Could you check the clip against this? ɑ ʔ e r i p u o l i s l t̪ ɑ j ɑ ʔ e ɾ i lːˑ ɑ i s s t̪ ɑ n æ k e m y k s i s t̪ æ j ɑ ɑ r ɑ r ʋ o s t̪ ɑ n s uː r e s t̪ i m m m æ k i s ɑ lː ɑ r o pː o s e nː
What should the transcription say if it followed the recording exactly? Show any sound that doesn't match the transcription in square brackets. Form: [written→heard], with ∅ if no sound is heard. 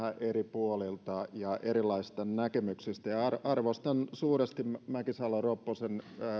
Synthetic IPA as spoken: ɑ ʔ e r i p u o l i [s→∅] l t̪ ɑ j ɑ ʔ e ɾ i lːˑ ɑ i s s t̪ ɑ n æ k e m y k s i s t̪ æ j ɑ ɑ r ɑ r ʋ o s t̪ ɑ n s uː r e s t̪ i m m m æ k i s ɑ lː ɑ r o pː o s e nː